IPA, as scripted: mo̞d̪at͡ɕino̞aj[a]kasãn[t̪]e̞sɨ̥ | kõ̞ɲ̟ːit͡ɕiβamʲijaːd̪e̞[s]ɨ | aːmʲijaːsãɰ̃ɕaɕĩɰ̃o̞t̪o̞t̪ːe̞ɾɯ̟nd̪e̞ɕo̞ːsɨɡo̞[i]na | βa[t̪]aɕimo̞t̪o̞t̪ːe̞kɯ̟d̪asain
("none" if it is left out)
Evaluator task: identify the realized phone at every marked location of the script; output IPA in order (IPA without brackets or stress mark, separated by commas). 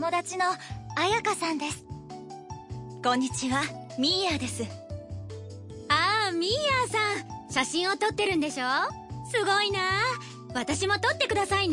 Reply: a, d̪, s, i, t̪